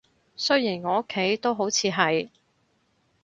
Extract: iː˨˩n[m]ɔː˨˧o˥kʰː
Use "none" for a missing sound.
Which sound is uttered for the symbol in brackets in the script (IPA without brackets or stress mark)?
ŋ